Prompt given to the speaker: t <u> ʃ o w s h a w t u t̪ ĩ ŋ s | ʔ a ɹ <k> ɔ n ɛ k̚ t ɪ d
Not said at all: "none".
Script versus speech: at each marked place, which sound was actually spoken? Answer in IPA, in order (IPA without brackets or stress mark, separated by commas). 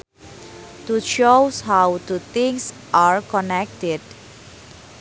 u, k